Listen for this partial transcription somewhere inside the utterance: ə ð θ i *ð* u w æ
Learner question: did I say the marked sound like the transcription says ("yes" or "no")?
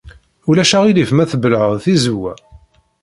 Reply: no